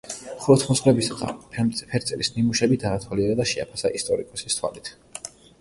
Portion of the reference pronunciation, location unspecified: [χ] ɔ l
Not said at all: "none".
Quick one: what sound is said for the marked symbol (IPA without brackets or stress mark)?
χ